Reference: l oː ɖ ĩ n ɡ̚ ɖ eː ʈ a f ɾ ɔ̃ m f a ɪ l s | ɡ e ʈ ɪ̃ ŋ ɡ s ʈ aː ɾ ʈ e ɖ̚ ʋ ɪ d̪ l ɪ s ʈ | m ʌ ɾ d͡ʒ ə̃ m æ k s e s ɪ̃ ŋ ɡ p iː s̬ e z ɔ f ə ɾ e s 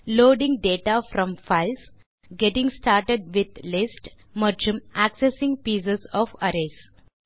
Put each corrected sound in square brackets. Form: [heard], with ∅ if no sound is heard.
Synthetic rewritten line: l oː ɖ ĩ [ŋ] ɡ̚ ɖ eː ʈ a f ɾ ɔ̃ m f a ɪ l s | ɡ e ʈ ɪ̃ ŋ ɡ s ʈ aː ɾ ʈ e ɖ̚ ʋ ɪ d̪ l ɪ s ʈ | m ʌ ɾ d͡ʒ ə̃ m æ k s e s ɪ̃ ŋ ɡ p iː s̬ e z ɔ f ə ɾ e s